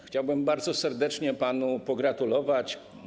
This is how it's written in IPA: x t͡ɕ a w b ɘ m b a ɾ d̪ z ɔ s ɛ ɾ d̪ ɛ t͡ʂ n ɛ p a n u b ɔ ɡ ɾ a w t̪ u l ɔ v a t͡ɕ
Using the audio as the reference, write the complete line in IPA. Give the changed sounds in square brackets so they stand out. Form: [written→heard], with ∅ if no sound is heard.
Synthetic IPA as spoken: x t͡ɕ a w b ɘ m b a ɾ d̪ z ɔ s ɛ ɾ d̪ ɛ t͡ʂ [n→ɲ] ɛ p a n u [b→p] ɔ ɡ ɾ a [w→∅] t̪ u l ɔ v a t͡ɕ